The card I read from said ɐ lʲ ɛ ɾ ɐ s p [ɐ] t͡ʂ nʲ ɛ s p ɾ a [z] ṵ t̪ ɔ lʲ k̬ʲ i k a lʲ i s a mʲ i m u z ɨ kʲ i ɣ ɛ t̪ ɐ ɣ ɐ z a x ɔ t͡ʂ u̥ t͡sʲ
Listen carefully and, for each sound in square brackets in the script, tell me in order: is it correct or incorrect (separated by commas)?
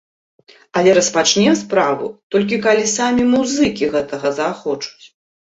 incorrect, incorrect